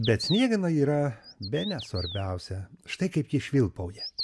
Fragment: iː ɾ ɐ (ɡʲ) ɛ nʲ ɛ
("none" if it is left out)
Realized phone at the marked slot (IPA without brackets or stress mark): bʲ